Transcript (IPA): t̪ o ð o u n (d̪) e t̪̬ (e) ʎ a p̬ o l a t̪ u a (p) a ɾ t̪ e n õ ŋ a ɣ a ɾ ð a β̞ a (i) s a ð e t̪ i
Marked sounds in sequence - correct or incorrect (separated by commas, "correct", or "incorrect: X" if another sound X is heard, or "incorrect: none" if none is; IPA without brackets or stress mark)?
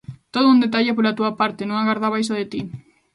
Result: correct, incorrect: a, correct, incorrect: j